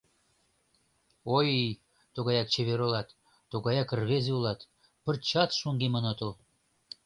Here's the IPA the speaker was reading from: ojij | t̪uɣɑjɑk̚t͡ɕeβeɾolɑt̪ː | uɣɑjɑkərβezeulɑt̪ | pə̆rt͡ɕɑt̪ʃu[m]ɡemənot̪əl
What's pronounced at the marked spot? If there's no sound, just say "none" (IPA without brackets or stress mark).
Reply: ŋ